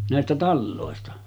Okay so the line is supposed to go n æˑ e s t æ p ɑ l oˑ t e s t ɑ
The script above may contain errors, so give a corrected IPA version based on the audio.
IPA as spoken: n æˑ e s t æ t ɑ lː oˑ e s t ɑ